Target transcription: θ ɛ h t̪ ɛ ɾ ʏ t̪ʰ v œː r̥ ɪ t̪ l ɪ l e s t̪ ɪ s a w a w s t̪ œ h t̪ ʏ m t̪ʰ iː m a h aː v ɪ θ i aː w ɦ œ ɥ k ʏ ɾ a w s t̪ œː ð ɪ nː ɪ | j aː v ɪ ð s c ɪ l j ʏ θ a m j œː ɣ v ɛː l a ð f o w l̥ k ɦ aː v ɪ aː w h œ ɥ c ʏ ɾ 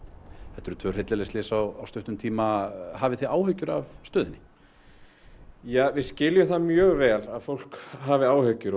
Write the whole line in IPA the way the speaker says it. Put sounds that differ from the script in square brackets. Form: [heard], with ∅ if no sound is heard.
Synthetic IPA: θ ɛ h t̪ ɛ ɾ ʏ t̪ʰ v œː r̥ ɪ t̪ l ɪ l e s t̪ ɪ s a w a w s t̪ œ h t̪ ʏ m t̪ʰ iː m a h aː v ɪ θ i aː w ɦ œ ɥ [c] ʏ ɾ a [v] s t̪ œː ð ɪ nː ɪ | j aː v ɪ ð s c ɪ l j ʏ θ a m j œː ɣ v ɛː l a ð f o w l̥ k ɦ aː v ɪ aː w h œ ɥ c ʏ ɾ